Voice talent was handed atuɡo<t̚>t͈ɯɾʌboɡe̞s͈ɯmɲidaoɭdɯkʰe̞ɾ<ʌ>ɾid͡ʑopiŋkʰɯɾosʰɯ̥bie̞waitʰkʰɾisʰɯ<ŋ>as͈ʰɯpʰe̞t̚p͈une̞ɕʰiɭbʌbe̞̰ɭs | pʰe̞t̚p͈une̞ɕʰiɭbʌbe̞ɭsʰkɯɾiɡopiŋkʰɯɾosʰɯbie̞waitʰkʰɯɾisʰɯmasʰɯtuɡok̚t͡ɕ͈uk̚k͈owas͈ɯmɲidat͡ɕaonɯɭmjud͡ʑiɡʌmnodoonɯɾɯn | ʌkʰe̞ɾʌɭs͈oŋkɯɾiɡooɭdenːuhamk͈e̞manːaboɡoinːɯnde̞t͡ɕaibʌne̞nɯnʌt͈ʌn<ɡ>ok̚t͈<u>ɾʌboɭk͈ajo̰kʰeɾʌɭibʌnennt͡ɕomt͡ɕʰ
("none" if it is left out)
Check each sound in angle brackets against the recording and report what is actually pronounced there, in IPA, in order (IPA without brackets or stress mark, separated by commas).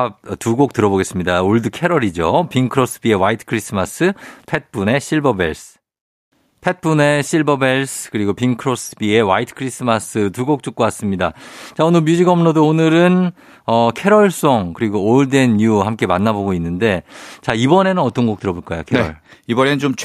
k̚, ʌ, m, ɡ, ɯ